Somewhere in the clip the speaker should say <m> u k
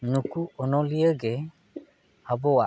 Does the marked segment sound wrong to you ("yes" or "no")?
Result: yes